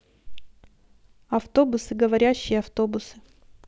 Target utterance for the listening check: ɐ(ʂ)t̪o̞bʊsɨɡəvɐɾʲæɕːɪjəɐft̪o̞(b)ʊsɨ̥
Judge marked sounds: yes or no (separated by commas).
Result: no, yes